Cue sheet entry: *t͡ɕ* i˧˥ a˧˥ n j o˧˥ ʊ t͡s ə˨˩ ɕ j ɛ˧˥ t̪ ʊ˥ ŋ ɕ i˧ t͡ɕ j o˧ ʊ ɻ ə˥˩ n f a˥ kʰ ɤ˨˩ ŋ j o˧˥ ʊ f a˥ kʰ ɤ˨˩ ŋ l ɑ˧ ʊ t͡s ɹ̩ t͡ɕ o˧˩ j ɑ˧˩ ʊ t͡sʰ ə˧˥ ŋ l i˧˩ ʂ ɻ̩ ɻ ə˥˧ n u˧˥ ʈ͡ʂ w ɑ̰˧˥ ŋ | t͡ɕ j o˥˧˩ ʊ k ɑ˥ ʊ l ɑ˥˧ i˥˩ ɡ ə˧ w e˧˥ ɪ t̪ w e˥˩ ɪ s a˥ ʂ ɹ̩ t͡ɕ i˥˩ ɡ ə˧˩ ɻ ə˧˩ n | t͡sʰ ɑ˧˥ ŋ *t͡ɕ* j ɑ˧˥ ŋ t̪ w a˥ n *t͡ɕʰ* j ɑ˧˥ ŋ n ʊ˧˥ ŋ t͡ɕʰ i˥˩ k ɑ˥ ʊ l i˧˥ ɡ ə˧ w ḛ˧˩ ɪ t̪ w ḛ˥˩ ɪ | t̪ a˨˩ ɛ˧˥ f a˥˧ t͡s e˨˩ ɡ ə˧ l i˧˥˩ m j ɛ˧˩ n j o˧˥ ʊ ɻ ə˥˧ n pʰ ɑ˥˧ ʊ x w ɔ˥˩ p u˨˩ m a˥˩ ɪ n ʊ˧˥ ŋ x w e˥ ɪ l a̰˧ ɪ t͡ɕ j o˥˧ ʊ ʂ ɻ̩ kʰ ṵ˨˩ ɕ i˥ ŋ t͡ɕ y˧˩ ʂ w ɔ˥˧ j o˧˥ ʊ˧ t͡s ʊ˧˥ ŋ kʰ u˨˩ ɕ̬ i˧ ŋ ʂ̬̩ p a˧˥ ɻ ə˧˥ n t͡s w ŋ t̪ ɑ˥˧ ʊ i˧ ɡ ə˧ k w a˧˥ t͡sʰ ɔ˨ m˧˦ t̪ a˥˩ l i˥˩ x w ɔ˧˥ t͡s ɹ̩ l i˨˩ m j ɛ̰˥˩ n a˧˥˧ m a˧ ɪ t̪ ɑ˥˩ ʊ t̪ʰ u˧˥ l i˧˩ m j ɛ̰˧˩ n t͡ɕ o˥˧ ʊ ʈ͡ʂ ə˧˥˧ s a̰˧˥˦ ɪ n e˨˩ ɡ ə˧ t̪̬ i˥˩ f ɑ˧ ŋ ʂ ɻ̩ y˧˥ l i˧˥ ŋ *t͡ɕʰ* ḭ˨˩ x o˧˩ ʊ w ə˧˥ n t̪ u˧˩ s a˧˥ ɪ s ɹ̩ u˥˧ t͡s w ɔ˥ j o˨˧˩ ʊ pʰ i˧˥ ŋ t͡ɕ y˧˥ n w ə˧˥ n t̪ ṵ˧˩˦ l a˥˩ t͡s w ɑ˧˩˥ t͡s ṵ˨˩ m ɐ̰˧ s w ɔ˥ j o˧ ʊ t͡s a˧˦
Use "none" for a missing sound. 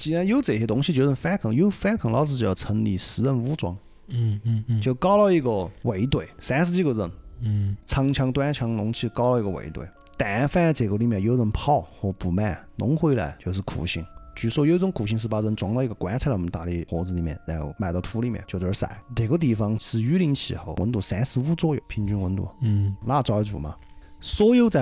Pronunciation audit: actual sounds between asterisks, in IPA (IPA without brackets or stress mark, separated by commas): t͡ɕ, t͡ɕʰ, t͡ɕʰ, t͡ɕʰ